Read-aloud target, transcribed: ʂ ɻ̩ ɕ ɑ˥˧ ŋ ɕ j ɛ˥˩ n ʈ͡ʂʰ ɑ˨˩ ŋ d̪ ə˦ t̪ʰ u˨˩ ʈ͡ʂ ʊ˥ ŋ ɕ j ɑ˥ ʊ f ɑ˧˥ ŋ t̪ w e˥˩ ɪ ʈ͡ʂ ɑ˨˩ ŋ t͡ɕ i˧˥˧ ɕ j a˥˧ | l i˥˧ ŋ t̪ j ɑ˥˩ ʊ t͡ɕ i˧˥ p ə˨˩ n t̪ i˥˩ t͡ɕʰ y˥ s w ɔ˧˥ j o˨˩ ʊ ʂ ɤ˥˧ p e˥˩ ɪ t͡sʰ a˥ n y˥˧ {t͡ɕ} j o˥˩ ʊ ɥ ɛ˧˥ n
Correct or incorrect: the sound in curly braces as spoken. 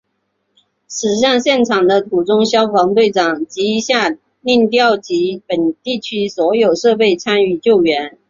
correct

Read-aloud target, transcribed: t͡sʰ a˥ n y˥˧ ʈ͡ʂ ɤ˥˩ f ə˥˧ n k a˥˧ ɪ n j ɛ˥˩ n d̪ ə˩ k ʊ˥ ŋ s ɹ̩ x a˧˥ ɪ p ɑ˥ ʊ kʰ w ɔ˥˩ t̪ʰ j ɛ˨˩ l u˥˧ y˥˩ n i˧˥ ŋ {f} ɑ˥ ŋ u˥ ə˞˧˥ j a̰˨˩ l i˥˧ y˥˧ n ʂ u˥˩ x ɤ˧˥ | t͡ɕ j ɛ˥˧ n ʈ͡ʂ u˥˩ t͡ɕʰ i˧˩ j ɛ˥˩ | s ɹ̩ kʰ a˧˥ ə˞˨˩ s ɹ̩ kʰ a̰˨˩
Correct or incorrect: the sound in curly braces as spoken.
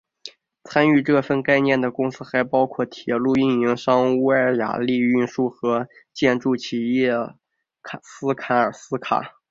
incorrect: ʂ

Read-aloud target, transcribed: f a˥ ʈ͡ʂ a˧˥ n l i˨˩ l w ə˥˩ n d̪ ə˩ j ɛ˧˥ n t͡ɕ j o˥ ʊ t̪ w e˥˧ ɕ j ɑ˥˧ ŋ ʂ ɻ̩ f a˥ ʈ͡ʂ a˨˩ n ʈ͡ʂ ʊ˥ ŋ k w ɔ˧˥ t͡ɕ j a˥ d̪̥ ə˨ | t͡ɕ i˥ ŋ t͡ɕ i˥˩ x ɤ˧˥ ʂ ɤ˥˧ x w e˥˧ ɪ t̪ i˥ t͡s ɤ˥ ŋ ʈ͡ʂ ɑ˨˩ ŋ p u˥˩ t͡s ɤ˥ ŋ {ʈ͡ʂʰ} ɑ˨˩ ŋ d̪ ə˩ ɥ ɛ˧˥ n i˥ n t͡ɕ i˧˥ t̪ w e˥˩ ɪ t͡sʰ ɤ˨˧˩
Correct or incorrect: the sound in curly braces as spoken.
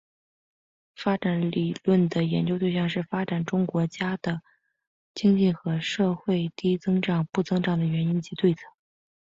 incorrect: ʈ͡ʂ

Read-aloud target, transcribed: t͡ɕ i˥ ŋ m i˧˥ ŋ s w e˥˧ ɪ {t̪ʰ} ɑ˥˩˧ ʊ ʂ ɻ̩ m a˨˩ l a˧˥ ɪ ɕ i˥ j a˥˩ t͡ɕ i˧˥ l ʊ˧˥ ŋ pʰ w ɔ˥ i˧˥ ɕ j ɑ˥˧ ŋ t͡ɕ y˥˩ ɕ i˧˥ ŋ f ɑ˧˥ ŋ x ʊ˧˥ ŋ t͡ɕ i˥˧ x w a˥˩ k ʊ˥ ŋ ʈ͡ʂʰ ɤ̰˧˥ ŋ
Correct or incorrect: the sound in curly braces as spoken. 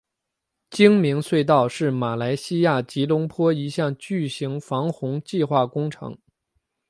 incorrect: t̪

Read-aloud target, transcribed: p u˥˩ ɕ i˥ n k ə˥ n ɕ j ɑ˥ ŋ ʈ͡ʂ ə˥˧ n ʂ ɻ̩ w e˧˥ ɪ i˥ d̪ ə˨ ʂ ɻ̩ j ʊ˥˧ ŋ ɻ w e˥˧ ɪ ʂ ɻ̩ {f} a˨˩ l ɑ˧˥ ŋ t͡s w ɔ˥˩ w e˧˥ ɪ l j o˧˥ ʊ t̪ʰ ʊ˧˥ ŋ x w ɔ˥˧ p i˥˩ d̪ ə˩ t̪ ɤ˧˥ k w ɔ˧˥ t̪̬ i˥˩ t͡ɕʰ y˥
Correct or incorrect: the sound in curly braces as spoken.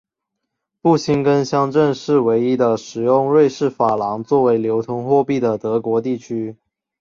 correct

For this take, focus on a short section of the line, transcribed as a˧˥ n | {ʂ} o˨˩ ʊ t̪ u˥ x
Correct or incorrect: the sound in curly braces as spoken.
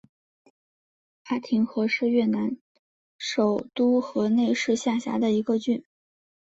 correct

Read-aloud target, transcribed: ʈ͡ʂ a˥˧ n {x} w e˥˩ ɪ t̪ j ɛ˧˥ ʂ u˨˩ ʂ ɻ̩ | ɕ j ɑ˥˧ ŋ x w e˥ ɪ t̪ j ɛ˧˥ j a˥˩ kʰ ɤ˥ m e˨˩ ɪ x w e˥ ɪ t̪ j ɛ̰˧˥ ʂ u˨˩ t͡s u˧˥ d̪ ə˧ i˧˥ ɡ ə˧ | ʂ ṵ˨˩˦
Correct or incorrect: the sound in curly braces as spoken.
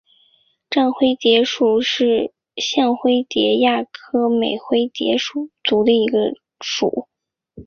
correct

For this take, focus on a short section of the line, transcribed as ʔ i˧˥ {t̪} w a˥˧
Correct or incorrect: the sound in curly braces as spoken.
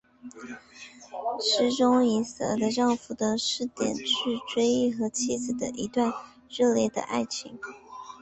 correct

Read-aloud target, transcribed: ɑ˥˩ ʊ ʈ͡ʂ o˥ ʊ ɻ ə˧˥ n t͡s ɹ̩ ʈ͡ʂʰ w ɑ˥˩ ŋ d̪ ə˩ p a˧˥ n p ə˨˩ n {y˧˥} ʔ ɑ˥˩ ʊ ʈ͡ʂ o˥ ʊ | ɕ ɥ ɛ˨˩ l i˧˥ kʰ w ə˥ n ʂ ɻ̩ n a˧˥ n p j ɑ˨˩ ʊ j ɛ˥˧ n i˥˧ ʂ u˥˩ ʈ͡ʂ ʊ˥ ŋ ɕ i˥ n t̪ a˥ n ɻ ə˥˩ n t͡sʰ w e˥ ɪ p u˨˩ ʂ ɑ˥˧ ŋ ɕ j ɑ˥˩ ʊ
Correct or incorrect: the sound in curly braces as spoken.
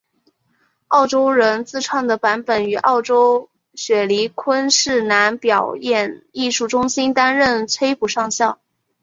incorrect: y˨˩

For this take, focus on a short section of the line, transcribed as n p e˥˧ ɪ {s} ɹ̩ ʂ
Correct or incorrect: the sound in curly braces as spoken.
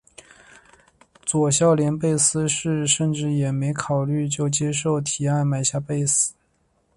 correct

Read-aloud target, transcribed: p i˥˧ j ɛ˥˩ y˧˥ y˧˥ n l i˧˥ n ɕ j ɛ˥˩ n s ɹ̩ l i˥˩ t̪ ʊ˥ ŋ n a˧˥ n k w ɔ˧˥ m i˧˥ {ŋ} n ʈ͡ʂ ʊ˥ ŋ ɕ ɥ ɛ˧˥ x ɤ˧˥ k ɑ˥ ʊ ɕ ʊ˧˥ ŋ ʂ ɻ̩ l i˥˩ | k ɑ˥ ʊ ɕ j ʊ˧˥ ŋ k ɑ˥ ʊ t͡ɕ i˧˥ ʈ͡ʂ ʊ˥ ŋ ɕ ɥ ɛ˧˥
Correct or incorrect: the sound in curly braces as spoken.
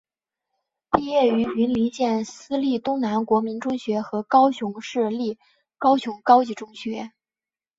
incorrect: none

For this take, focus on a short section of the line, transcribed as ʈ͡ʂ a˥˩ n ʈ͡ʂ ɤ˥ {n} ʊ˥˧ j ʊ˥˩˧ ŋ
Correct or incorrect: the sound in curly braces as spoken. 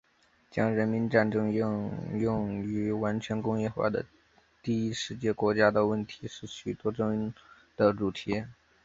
incorrect: ŋ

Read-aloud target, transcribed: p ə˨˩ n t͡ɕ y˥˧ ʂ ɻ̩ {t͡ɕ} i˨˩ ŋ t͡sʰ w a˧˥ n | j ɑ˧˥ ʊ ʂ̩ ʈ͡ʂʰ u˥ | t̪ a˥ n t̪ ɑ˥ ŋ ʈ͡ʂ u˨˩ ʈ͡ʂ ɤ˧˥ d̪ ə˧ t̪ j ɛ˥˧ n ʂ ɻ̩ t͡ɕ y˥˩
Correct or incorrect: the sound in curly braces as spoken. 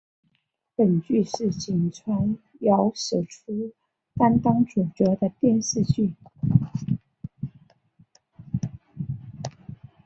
correct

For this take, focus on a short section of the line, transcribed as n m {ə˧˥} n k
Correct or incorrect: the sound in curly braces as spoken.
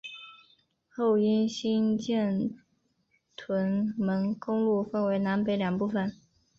correct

